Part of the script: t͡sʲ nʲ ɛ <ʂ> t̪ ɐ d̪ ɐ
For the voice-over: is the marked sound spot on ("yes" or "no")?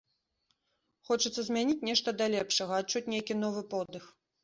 yes